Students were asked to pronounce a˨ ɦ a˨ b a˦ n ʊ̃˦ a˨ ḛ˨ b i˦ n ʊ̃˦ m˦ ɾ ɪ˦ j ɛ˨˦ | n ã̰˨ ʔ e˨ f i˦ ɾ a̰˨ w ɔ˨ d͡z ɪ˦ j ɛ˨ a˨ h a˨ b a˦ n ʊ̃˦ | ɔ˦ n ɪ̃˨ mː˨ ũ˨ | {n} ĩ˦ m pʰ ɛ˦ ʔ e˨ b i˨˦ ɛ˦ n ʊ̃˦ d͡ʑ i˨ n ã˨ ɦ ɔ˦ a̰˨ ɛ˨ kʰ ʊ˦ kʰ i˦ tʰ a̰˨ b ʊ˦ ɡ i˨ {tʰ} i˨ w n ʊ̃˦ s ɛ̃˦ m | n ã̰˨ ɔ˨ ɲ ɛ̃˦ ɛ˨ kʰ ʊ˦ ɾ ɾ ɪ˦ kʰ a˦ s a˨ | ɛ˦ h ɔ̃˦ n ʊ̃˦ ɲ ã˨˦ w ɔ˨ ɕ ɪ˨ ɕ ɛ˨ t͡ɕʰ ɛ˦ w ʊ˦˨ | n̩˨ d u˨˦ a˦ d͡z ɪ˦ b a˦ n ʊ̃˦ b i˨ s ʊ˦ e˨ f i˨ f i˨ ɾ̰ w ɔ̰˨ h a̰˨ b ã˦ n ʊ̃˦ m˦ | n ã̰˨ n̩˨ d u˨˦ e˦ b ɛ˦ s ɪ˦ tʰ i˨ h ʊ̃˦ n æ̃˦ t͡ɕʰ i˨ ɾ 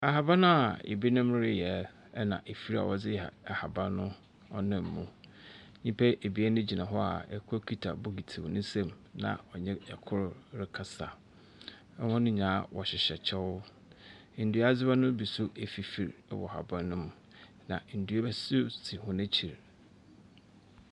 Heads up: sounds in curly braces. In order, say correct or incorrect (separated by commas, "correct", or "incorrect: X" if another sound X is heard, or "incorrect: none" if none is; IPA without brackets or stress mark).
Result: incorrect: ɲ, correct